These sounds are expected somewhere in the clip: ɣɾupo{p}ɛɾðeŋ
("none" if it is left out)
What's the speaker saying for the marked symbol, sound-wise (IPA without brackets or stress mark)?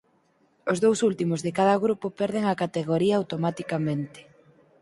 p